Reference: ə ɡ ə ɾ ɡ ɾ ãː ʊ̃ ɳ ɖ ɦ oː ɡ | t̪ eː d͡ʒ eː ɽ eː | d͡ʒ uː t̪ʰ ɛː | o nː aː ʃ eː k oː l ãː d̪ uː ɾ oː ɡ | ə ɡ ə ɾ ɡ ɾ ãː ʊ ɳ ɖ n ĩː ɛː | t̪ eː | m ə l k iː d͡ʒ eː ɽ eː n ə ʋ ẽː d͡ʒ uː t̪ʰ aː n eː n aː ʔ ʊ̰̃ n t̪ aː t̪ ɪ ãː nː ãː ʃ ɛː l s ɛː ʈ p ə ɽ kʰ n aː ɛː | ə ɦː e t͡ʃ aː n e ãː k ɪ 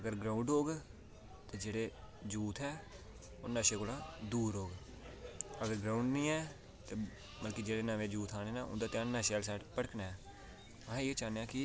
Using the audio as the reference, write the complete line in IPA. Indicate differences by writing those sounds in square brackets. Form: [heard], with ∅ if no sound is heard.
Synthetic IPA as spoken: ə ɡ ə ɾ ɡ ɾ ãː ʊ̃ ɳ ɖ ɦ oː ɡ | t̪ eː d͡ʒ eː ɽ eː | d͡ʒ uː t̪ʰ ɛː | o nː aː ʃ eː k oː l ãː d̪ uː ɾ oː ɡ | ə ɡ ə ɾ ɡ ɾ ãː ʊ ɳ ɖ n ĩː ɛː | t̪ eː | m ə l k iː d͡ʒ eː ɽ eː n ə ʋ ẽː d͡ʒ uː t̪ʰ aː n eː n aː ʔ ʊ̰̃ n [d̪] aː t̪ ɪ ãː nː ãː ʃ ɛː l s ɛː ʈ p ə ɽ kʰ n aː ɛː | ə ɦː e t͡ʃ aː n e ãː k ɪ